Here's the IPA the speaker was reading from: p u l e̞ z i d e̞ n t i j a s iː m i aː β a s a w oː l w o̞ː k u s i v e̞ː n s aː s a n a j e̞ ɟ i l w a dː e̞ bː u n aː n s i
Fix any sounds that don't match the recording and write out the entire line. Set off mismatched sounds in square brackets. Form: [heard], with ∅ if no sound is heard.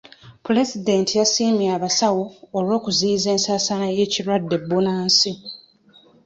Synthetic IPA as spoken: p u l e̞ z i d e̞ n t i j a s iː m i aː β a s a w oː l w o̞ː k u [z] i [z] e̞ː n s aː s a n a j e̞ [c] i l w a dː e̞ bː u n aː n s i